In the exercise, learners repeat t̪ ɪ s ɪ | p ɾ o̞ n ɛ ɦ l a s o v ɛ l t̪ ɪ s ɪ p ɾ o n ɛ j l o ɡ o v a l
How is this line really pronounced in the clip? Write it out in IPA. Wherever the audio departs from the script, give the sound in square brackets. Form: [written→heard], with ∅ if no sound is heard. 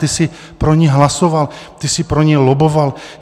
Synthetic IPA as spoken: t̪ ɪ s ɪ | p ɾ o̞ [n→ɲ] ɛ ɦ l a s o v [ɛ→a] l t̪ ɪ s ɪ p ɾ o [n→ɲ] ɛ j l o [ɡ→b] o v a l